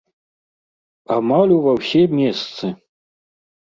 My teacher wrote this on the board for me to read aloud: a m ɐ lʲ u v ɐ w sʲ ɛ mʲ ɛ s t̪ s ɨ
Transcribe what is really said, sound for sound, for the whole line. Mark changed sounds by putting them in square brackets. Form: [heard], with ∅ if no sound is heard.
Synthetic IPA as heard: a m [a] lʲ u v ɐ w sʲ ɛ mʲ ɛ s t̪ s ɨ